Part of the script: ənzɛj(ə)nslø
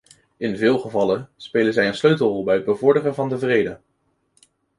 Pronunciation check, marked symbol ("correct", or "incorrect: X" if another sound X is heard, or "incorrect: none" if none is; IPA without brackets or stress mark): correct